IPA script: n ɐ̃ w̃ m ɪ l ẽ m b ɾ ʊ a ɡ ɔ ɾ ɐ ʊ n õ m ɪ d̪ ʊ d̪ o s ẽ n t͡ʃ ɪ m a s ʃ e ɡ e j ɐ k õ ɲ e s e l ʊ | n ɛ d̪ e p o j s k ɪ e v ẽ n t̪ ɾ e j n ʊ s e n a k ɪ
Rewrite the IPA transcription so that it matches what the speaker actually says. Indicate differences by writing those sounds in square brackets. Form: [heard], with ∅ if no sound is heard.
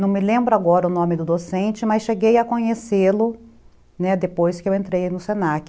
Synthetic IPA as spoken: n ɐ̃ w̃ m ɪ l ẽ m b ɾ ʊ a ɡ ɔ ɾ ɐ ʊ n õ m ɪ d̪ ʊ d̪ o s ẽ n t͡ʃ ɪ m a s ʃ e ɡ e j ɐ k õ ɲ e s e l ʊ | n ɛ d̪ e p o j s k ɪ e [w] ẽ n t̪ ɾ e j n ʊ s e n a k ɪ